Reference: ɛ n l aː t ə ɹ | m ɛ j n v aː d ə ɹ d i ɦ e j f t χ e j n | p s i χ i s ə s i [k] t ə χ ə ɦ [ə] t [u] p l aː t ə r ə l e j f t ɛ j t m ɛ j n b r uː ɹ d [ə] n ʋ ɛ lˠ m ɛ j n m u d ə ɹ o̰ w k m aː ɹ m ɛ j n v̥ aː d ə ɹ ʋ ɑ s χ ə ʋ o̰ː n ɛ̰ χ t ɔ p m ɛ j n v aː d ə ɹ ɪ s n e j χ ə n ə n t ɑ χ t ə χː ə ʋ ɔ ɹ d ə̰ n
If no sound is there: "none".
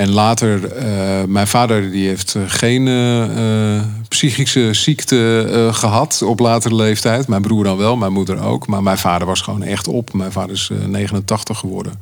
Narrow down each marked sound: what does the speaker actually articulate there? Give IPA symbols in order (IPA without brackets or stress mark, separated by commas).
k, ɑ, ɔ, ɑ